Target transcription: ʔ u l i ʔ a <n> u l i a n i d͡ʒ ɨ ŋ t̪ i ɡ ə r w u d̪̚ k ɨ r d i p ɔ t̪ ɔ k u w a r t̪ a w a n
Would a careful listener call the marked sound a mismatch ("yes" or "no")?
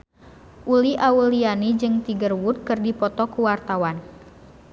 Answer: yes